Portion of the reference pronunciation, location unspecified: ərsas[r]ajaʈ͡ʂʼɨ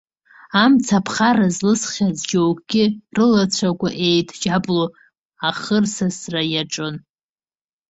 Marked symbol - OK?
yes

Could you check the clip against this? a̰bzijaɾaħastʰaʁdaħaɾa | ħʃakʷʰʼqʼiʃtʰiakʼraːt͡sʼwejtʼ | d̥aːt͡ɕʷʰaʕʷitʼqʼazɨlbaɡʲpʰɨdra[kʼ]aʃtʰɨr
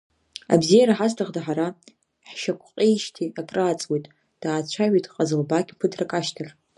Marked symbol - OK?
yes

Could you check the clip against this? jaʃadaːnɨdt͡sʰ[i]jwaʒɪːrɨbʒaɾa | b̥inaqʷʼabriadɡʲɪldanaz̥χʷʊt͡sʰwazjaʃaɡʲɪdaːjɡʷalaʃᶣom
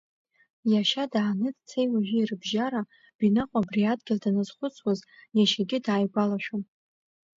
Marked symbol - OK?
no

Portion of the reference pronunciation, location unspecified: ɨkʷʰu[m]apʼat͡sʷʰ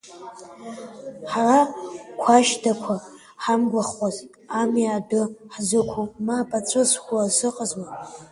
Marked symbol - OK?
yes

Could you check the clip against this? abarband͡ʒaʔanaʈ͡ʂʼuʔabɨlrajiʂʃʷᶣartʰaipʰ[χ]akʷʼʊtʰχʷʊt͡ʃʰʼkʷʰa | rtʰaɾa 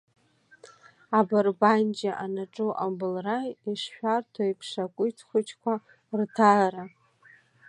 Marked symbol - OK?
no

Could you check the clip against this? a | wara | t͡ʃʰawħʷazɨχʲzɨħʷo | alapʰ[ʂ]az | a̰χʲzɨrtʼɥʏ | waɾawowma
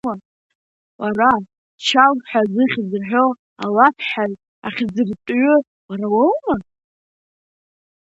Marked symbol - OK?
no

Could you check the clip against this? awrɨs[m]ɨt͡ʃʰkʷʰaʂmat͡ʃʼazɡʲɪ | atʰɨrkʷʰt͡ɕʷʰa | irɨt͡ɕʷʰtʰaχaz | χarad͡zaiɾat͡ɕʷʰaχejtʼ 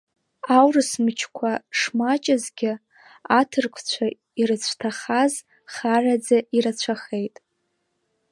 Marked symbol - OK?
yes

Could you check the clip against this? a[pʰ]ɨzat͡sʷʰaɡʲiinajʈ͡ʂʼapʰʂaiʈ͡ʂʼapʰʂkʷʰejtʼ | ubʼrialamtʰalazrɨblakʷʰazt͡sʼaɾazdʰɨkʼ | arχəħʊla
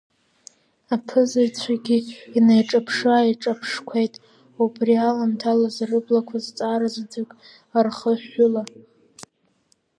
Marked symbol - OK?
yes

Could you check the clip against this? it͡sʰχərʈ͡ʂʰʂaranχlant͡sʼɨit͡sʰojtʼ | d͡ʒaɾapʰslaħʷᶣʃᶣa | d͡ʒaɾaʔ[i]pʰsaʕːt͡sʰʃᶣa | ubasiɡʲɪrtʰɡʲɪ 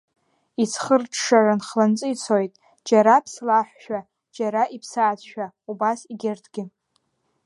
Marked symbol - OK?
yes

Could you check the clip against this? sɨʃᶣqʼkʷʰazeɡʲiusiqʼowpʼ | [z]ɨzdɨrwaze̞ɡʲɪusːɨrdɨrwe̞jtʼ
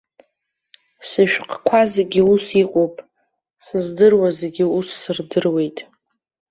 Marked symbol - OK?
no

